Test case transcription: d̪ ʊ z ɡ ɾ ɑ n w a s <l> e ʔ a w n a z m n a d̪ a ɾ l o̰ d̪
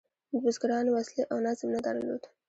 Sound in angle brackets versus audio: correct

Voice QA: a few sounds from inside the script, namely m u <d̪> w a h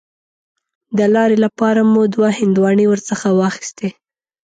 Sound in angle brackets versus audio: correct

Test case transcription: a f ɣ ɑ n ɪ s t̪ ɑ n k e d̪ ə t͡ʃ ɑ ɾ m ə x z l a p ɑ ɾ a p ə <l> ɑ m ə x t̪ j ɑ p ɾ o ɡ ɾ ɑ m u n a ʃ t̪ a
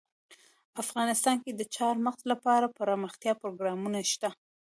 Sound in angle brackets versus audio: incorrect: ɾ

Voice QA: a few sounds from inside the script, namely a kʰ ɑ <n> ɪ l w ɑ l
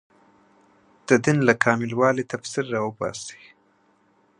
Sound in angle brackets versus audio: incorrect: m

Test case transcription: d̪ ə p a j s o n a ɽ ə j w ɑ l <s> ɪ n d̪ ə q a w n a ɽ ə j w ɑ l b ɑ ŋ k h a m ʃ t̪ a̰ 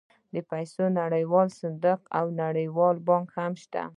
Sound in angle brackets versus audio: correct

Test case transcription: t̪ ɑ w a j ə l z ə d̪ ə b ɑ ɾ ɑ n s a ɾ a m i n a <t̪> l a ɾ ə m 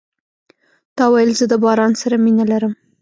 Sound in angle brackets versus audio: incorrect: none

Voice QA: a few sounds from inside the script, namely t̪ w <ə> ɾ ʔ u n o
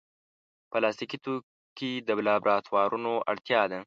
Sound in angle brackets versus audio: incorrect: ɑ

